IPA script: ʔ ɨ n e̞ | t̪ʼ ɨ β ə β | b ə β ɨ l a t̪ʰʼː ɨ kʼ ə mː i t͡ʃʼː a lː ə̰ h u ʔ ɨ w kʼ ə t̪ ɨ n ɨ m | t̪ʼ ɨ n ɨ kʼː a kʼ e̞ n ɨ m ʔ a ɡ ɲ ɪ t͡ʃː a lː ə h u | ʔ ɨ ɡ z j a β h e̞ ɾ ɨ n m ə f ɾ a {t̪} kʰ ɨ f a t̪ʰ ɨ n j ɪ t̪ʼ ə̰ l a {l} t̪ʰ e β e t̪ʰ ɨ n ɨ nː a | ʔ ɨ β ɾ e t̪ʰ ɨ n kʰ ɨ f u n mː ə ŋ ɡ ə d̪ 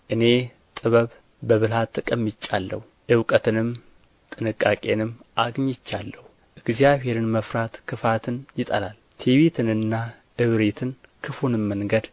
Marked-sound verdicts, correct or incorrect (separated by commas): correct, correct